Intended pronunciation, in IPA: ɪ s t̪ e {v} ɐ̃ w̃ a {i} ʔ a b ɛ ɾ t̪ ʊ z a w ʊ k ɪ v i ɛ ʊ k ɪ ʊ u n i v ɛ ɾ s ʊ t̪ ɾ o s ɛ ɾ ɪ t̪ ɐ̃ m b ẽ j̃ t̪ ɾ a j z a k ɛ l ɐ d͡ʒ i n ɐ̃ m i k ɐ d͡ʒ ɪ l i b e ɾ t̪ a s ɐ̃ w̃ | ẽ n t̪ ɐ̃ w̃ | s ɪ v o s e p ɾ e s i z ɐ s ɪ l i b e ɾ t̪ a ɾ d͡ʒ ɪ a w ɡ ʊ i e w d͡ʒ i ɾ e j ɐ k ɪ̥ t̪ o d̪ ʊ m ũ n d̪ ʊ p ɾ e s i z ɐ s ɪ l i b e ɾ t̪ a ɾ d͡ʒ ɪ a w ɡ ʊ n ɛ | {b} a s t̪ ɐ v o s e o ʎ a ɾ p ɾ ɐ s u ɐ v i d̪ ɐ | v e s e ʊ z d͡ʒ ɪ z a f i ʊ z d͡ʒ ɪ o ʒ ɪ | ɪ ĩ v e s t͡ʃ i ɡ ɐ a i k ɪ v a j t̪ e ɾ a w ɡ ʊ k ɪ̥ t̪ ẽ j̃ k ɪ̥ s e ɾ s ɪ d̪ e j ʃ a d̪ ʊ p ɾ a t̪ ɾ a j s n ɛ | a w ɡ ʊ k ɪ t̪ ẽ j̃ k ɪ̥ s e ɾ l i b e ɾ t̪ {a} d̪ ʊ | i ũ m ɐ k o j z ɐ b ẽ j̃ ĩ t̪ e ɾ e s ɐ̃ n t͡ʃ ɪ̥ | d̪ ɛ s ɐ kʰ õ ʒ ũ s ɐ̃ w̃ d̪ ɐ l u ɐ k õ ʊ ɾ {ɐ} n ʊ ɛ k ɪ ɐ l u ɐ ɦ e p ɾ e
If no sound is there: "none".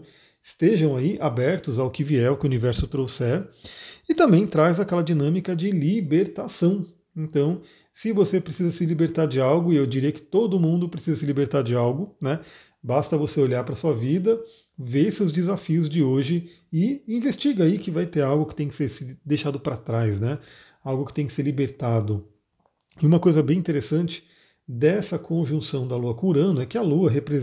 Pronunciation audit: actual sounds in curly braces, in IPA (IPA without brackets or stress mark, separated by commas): ʒ, i, b, a, ɐ̃